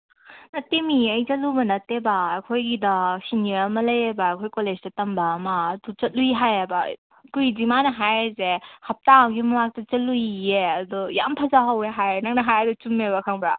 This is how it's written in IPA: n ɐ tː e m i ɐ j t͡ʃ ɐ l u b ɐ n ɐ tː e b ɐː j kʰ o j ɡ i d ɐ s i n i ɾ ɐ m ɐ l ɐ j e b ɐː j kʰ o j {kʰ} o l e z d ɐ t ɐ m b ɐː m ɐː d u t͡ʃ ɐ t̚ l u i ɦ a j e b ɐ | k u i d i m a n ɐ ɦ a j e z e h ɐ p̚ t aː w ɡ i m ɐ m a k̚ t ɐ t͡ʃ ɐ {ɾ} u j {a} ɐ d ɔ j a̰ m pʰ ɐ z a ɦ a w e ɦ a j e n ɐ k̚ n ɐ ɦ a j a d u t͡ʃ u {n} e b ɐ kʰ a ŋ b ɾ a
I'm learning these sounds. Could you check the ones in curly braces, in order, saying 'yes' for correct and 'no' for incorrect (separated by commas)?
no, no, no, no